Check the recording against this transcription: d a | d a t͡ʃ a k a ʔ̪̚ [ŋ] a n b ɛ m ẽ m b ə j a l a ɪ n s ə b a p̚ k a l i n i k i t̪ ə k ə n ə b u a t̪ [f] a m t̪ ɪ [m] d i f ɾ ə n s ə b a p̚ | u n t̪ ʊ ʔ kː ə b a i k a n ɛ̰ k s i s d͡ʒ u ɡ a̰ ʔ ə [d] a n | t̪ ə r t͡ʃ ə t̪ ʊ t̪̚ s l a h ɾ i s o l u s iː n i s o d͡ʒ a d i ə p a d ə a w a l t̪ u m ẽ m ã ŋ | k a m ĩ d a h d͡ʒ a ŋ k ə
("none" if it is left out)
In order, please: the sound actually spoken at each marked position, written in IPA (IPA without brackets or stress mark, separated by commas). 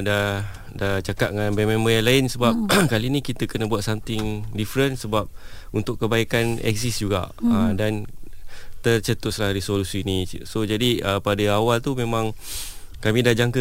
ŋ, s, ŋ, d